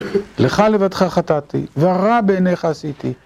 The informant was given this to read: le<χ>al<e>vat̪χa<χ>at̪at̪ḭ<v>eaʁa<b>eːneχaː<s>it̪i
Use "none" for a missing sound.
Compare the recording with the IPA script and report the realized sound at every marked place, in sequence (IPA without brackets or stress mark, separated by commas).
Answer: χ, e, χ, v, b, s